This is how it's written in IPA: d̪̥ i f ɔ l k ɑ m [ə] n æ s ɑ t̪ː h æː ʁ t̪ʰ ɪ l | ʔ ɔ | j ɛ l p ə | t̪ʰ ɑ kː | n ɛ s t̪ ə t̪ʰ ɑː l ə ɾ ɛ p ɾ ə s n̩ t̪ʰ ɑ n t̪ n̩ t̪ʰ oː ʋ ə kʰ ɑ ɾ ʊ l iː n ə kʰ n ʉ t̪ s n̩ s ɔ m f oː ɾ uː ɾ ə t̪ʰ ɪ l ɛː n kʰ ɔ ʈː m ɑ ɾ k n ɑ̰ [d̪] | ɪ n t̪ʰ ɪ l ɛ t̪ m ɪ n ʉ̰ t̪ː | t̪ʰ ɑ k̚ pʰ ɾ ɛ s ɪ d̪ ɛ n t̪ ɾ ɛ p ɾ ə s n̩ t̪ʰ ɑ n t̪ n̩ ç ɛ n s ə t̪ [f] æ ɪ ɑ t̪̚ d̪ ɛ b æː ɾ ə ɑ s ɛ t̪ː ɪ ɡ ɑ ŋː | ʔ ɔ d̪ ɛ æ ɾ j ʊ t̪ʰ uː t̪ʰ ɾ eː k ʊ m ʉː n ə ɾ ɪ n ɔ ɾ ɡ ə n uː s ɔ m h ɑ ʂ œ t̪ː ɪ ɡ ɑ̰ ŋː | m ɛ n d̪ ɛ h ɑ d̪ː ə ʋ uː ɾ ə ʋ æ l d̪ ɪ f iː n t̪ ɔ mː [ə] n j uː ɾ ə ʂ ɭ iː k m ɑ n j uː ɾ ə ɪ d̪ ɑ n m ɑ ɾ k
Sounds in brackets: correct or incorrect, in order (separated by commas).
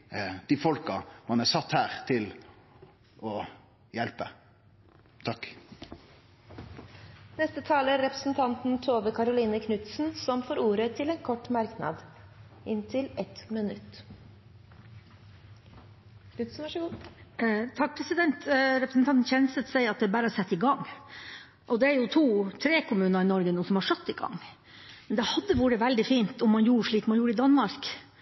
incorrect, correct, incorrect, incorrect